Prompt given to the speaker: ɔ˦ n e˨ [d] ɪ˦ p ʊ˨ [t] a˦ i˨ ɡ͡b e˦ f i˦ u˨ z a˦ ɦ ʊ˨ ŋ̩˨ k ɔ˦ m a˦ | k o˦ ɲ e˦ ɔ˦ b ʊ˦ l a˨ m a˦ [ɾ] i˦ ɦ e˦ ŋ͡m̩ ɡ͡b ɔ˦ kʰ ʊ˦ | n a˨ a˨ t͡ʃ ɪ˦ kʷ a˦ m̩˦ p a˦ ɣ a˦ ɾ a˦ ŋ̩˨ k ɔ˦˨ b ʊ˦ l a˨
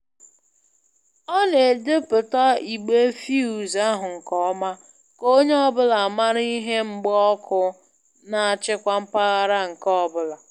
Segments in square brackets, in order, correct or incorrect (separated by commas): correct, correct, correct